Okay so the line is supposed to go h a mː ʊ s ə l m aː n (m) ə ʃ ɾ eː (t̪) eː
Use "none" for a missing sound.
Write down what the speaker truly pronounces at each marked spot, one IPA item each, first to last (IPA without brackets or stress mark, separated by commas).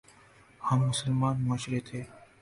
m, t̪ʰ